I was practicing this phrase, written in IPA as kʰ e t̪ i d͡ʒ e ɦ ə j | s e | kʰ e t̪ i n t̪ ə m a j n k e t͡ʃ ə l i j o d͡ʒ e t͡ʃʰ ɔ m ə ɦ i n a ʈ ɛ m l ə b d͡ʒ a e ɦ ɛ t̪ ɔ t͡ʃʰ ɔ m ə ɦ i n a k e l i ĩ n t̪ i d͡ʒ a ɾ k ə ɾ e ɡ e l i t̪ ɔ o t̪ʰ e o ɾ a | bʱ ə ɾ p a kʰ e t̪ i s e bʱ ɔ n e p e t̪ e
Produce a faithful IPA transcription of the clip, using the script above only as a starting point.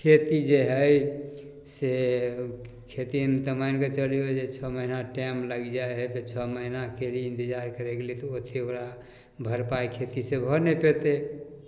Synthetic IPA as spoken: kʰ e t̪ i d͡ʒ e ɦ ə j | s e | kʰ e t̪ i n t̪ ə m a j n k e t͡ʃ ə l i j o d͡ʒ e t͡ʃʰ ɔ m ə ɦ i n a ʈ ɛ m l ə ɡ d͡ʒ a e ɦ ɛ t̪ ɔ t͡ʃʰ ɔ m ə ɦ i n a k e l i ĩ n t̪ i d͡ʒ a ɾ k ə ɾ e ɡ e l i t̪ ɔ o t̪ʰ e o ɾ a | bʱ ə ɾ p a kʰ e t̪ i s e bʱ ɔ n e p e t̪ e